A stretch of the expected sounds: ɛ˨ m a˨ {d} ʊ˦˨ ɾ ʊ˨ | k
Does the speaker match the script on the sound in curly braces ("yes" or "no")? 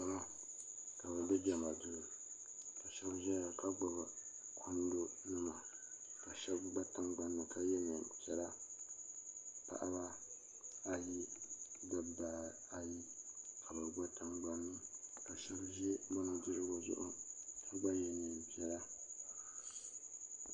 yes